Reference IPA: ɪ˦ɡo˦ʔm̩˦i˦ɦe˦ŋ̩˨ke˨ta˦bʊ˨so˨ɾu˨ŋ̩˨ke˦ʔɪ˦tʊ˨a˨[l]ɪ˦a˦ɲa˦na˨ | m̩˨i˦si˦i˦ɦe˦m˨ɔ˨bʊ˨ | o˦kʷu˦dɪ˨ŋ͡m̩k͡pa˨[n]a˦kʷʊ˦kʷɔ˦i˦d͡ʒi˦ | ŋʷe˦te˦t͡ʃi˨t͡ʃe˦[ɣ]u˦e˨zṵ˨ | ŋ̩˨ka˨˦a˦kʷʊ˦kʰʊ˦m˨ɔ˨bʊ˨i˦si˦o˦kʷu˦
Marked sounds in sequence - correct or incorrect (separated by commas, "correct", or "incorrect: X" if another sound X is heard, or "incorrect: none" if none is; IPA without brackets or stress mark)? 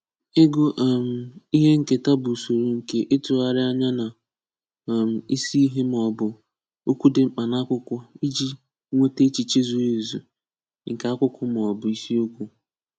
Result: incorrect: ɾ, correct, incorrect: z